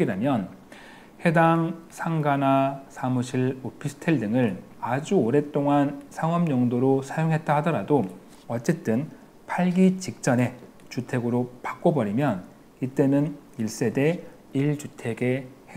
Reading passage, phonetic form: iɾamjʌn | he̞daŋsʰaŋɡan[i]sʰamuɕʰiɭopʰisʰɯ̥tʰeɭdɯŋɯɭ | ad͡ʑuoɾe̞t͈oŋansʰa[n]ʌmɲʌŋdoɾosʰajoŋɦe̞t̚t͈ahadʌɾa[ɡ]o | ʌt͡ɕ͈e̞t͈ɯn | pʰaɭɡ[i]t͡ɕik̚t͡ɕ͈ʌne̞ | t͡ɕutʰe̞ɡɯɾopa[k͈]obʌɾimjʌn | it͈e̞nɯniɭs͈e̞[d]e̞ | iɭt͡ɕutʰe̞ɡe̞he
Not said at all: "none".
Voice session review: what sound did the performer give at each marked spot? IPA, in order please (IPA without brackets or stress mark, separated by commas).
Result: a, ŋ, d, i, k͈, d